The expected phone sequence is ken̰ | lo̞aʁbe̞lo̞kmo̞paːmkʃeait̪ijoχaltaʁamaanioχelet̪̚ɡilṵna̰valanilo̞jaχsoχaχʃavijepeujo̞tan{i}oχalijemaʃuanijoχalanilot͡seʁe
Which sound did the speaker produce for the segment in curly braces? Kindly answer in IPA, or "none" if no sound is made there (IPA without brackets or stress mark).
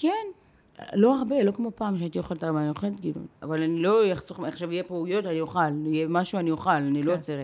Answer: i